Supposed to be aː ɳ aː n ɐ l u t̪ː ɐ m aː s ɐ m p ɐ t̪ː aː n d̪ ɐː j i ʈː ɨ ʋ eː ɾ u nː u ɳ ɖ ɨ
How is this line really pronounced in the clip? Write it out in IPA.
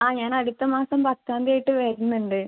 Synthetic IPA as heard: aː ɲ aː n ɐ ɽ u t̪ː ɐ m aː s ɐ m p ɐ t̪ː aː n d̪ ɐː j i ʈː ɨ ʋ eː ɾ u nː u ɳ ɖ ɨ

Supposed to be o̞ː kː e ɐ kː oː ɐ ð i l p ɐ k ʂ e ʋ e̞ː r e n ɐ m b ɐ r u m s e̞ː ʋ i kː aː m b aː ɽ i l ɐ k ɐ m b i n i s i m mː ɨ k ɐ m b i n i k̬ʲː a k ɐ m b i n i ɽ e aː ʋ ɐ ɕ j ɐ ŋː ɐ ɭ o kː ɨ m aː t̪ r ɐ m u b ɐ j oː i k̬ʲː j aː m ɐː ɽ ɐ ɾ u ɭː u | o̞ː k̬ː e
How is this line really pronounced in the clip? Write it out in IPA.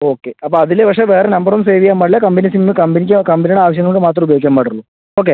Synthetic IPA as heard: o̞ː kː e ɐ pː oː ɐ ð i l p ɐ k ʂ e ʋ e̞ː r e n ɐ m b ɐ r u m s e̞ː ʋ i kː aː m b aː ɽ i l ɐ k ɐ m b i n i s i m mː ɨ k ɐ m b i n i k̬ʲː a k ɐ m b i n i ɽ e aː ʋ ɐ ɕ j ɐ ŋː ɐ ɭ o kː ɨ m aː t̪ r ɐ m u b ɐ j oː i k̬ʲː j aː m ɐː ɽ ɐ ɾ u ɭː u | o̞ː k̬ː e

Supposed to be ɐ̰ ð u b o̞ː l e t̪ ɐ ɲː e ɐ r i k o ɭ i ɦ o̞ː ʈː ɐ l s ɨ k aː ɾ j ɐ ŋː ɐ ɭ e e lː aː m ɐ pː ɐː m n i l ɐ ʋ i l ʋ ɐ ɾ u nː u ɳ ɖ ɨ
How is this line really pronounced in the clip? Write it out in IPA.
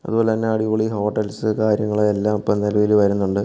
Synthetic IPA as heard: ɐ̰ ð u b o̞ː l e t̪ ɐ nː e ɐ ɽ i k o ɭ i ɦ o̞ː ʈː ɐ l s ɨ k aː ɾ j ɐ ŋː ɐ ɭ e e lː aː m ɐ pː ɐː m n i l ɐ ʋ i l ʋ ɐ ɾ u nː u ɳ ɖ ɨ

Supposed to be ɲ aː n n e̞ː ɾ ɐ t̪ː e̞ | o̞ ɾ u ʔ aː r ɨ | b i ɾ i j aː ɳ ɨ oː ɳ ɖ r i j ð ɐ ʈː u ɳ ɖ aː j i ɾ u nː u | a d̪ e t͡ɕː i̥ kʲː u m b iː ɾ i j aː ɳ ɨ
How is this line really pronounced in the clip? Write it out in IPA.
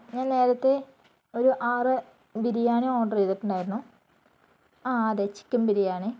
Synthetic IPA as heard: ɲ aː n n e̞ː ɾ ɐ t̪ː e̞ | o̞ ɾ u ʔ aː r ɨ | b i ɾ i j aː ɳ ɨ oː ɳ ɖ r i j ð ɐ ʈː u ɳ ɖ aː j i ɾ u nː u | a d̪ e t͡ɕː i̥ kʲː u m b i ɾ i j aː ɳ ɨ

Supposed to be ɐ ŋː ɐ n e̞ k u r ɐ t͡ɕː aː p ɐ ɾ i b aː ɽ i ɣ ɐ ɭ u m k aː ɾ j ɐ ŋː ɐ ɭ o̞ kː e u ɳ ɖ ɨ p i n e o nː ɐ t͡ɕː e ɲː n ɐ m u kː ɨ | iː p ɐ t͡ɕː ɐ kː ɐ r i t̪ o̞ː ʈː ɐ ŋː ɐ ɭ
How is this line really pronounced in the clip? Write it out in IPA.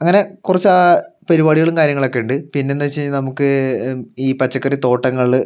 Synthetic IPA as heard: ɐ ŋː ɐ n e̞ k u r ɐ t͡ɕː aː p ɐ ɾ i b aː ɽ i ɣ ɐ ɭ u m k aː ɾ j ɐ ŋː ɐ ɭ o̞ kː e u ɳ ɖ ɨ p i nː e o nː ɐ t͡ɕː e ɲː n ɐ m u kː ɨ | iː p ɐ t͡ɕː ɐ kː ɐ r i t̪ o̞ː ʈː ɐ ŋː ɐ ɭ

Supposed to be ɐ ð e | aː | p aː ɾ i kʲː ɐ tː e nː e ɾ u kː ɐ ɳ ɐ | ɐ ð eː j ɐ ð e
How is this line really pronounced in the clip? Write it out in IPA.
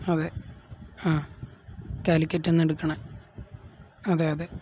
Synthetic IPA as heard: ɐ ð e | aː | k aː l i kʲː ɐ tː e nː e ɽ u kː ɐ ɳ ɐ | ɐ ð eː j ɐ ð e

